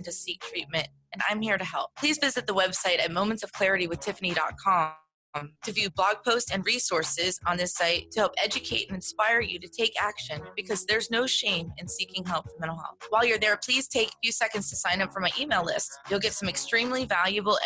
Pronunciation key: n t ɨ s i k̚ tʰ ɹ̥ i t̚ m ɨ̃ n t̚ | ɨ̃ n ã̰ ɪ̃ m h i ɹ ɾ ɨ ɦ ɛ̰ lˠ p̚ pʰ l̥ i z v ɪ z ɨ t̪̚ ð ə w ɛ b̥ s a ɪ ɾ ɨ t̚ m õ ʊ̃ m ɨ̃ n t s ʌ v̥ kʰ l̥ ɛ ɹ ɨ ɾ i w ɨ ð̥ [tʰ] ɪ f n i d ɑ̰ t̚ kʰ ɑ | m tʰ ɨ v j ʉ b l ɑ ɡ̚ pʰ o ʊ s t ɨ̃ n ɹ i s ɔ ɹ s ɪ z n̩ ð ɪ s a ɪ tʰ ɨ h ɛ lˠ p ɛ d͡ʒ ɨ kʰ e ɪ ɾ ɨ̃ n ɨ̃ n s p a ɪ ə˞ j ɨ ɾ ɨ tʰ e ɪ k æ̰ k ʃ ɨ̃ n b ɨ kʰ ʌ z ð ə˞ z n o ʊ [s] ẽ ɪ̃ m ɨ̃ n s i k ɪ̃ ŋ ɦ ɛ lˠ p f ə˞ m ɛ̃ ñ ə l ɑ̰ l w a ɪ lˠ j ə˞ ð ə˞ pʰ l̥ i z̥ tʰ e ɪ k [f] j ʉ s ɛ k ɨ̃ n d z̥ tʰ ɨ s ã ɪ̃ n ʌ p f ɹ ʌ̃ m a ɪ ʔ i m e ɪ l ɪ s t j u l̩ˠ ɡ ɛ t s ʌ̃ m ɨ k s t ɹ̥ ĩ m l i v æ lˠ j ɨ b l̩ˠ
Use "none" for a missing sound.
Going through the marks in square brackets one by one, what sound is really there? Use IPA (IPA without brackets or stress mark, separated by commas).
tʰ, ʃ, f